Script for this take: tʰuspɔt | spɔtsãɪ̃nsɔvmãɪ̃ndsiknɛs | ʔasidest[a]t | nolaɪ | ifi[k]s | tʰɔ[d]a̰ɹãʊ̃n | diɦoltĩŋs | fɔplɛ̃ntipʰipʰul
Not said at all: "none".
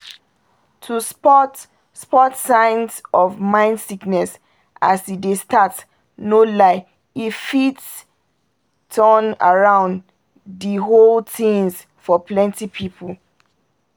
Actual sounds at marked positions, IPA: a, t, n

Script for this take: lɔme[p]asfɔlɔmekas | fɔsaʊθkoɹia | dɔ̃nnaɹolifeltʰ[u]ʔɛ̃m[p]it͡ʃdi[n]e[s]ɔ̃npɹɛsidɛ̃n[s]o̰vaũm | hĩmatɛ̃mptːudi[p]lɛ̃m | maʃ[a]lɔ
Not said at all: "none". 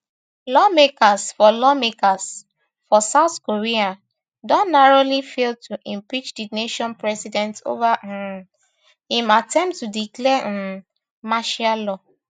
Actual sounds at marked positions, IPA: k, u, p, n, ʃ, t, k, a

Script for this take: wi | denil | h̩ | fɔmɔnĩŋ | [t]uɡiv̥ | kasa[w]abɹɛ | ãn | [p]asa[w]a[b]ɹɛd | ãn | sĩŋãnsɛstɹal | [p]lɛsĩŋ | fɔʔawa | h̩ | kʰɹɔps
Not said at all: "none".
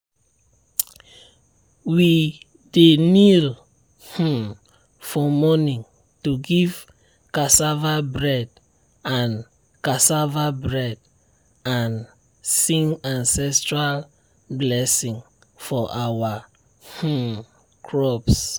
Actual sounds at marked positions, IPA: t, v, k, v, b, b

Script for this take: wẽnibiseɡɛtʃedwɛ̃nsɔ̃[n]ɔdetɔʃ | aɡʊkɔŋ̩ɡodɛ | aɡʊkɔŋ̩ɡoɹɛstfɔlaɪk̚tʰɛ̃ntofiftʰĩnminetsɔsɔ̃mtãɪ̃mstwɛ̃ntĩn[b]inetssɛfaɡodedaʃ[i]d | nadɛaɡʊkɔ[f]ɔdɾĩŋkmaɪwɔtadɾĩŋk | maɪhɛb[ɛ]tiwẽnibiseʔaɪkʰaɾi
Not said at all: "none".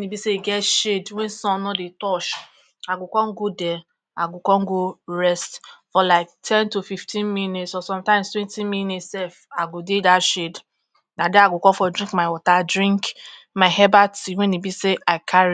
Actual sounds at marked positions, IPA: n, m, e, f, a

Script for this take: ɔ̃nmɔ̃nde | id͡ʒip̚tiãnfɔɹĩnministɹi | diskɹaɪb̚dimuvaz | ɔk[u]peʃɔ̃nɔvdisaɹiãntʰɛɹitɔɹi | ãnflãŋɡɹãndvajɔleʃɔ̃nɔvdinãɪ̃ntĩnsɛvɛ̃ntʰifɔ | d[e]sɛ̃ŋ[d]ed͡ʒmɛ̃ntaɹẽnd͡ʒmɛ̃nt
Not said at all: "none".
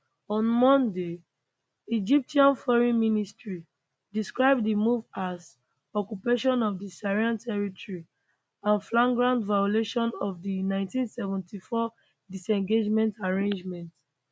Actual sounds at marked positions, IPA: u, i, ɡ

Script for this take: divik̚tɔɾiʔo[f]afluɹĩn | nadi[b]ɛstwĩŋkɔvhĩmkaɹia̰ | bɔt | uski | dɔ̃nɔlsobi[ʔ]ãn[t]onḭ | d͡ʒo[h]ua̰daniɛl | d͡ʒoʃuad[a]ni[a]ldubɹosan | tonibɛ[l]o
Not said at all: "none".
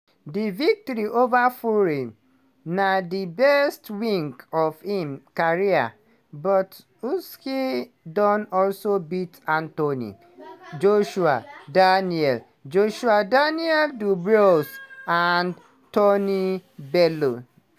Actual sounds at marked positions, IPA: v, b, t, t, ʃ, a, ɛ, l

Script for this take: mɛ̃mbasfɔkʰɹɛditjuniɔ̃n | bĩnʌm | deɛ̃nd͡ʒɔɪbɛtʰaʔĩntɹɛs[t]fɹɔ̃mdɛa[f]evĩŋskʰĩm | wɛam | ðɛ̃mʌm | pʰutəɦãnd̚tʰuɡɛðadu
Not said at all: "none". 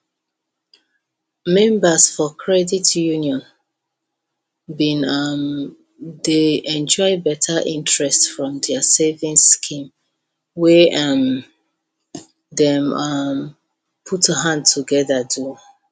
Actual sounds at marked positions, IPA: t, s

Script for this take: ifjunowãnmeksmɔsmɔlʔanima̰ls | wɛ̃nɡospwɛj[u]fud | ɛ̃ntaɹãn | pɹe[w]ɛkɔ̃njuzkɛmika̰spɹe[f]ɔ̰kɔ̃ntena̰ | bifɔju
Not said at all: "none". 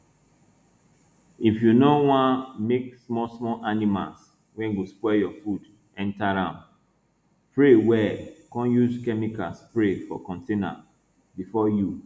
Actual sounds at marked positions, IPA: ɔ, w, f

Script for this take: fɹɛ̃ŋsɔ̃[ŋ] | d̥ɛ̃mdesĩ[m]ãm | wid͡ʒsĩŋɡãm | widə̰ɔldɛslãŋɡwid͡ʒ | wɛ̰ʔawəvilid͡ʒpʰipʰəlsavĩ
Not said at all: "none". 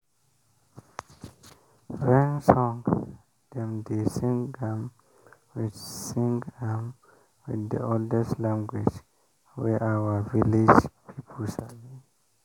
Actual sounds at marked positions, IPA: ŋ, ŋ

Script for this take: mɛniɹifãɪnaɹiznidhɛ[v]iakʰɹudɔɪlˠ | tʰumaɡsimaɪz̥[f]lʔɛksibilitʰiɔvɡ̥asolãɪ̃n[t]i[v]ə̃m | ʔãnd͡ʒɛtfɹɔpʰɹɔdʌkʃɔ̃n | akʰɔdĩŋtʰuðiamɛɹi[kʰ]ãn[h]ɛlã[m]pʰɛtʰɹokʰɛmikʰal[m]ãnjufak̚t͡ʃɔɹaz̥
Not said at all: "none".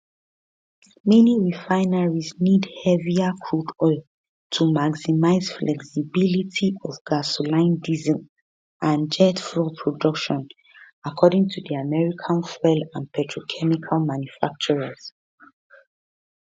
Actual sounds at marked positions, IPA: v, f, d, z, kʰ, f, n, m

